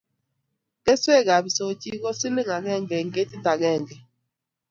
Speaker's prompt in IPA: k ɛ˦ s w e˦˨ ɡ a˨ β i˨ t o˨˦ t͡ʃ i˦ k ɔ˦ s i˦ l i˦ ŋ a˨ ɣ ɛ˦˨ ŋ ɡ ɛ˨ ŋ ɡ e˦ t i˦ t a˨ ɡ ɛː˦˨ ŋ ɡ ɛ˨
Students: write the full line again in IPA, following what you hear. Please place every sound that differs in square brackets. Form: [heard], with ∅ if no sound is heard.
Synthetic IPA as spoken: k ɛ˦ s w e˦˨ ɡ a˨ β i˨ [s] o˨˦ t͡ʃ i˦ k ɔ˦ s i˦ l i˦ ŋ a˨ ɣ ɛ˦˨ ŋ ɡ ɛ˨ ŋ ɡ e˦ t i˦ t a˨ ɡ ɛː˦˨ ŋ ɡ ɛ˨

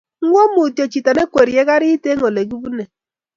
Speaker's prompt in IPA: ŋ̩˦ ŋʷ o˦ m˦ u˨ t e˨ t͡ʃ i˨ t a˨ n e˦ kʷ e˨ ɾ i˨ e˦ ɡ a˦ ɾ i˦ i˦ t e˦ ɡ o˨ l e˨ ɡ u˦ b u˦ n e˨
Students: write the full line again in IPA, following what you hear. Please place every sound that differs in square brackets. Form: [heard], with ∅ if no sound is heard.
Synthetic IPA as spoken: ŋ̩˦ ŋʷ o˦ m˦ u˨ t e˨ t͡ʃ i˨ t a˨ n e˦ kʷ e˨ ɾ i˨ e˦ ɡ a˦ ɾ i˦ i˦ t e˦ [ŋ] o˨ l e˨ ɡ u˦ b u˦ n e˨

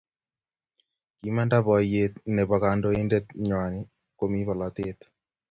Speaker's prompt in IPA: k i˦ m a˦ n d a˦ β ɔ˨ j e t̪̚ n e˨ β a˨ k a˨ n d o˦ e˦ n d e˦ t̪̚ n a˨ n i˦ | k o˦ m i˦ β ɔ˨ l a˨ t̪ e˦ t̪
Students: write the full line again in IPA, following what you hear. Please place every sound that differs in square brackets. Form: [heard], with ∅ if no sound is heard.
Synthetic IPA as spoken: k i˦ m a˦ n d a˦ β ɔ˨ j e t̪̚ n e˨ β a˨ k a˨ n d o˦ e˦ n d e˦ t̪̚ [ɲ] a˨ n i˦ | k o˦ m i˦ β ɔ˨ l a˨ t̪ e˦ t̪

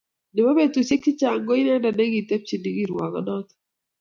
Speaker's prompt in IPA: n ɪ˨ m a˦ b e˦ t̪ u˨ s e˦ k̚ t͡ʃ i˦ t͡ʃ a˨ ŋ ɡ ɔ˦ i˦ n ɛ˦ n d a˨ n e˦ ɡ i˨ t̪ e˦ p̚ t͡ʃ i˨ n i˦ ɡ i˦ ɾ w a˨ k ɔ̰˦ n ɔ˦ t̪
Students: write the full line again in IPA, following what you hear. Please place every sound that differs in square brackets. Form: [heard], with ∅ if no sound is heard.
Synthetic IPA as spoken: n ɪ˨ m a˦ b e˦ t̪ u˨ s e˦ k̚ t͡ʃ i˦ t͡ʃ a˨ ŋ ɡ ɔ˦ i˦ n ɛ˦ n d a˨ n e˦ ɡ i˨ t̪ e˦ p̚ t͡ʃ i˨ n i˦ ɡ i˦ ɾ w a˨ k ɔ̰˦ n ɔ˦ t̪

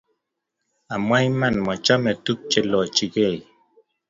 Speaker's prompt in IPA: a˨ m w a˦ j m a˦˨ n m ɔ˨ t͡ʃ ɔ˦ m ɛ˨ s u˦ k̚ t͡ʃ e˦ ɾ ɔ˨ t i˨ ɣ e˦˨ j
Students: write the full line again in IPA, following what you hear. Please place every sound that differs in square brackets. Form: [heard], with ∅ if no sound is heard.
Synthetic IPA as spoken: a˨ m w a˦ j m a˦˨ n m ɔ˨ t͡ʃ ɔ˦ m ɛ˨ [t] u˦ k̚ t͡ʃ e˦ [l] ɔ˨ [t͡ʃ] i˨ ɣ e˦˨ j

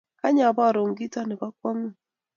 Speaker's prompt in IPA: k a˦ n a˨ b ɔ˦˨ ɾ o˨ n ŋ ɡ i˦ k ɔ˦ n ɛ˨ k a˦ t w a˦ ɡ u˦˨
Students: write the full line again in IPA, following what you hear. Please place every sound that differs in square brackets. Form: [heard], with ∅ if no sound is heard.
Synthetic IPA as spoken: k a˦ [ɲ] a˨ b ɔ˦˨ ɾ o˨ [∅] ŋ ɡ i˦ [t] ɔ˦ n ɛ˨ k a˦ [k] w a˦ [ŋ] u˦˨

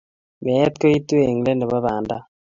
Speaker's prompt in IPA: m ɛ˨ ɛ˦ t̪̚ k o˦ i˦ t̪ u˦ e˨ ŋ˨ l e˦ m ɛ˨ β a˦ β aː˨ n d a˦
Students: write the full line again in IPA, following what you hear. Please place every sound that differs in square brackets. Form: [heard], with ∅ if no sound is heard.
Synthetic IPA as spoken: m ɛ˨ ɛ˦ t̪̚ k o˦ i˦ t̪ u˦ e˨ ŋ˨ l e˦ [n] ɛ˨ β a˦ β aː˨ n d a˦

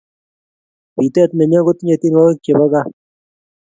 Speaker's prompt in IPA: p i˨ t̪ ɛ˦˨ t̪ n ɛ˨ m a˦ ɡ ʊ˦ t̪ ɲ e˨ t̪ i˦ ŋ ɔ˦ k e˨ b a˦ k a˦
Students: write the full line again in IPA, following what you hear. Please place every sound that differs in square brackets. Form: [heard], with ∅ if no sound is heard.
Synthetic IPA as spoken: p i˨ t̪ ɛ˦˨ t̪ n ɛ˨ [ɲ] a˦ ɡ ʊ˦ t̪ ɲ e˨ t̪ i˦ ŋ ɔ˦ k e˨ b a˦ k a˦

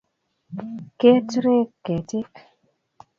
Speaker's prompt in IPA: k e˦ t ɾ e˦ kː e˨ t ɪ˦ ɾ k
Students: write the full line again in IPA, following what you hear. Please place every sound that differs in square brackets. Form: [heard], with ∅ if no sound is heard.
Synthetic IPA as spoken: k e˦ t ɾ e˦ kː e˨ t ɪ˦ [∅] k

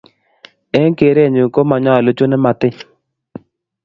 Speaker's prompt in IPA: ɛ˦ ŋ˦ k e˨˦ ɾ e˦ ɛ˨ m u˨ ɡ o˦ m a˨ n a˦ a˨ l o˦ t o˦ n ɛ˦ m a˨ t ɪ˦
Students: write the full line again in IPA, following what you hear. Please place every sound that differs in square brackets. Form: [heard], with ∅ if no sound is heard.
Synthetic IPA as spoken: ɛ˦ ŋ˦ k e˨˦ ɾ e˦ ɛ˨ [ɲ] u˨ [k] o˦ m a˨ [ɲ] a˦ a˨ l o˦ [t͡ʃ] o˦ n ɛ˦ m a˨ t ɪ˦

